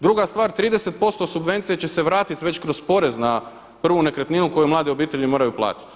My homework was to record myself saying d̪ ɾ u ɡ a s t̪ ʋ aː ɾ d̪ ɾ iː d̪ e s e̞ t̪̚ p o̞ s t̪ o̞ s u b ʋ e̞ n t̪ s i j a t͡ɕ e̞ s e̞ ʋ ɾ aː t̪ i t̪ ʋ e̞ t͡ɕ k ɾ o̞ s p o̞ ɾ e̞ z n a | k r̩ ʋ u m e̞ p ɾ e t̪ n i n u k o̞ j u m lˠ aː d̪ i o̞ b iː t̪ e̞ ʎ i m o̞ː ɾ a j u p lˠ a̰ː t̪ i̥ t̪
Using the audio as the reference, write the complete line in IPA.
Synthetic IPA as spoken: d̪ ɾ u ɡ a s t̪ ʋ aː ɾ t̪ ɾ iː d̪ e s e̞ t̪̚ p o̞ s t̪ o̞ s u b ʋ e̞ n t̪ s i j e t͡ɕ e̞ s e̞ ʋ ɾ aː t̪ i t̪ ʋ e̞ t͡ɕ k ɾ o̞ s p o̞ ɾ e̞ z n a | p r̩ ʋ u n e̞ k ɾ e t̪ n i n u k o̞ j u m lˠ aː d̪ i o̞ b iː t̪ e̞ ʎ i m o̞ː ɾ a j u p lˠ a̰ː t̪ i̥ t̪